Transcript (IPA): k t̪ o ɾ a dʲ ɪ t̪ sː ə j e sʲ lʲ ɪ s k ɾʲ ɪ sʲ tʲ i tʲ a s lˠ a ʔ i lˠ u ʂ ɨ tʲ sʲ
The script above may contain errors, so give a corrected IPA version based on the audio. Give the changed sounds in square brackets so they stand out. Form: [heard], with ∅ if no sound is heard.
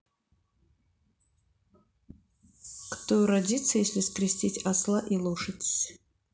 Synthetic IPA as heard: k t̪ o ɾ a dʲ [i] t̪ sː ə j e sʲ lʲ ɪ s k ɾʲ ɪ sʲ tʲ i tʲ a s lˠ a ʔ i lˠ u ʂ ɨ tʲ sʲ